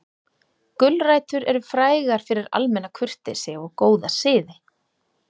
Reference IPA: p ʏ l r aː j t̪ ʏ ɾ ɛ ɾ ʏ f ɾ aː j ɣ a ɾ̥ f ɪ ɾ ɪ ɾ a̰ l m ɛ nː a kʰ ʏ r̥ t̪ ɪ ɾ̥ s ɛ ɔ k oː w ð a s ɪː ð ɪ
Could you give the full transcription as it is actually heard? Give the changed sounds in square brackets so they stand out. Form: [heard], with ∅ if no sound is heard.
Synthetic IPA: [k] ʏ l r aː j t̪ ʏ ɾ ɛ ɾ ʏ f ɾ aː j ɣ a ɾ̥ f ɪ ɾ ɪ ɾ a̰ l m ɛ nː a kʰ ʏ r̥ t̪ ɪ [∅] s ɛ ɔ k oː w ð a s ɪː ð ɪ